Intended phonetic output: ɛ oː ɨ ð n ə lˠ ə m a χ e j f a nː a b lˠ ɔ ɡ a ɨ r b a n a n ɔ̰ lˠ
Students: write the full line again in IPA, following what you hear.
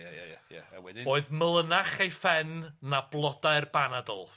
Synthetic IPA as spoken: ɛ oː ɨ ð m ə lˠ ə n a χ e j f ɛ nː a b lˠ ɔ d a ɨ r b a n a d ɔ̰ lˠ